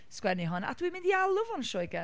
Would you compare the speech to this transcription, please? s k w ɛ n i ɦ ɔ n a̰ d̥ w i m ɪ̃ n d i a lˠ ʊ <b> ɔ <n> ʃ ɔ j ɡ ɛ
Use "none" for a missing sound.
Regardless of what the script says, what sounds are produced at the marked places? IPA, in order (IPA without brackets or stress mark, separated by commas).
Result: v, n